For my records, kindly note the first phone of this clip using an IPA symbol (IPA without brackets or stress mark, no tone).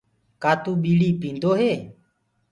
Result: k